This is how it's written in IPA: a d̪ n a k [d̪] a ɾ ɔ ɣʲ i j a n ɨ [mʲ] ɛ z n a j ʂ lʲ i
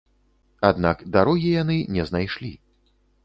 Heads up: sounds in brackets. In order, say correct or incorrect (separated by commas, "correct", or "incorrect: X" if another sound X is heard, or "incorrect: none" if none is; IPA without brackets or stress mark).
correct, incorrect: nʲ